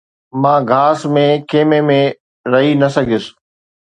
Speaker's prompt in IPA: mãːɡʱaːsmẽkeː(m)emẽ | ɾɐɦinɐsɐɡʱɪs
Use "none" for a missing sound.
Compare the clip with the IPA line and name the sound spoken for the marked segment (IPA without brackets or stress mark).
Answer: m